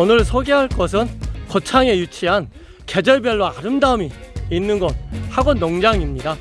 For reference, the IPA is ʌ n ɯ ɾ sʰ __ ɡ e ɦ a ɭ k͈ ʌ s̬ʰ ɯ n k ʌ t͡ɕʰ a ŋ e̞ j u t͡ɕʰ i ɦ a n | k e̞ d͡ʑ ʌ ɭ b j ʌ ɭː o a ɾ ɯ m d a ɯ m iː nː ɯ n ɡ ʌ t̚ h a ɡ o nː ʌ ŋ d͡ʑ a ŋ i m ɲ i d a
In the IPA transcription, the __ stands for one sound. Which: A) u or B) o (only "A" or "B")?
B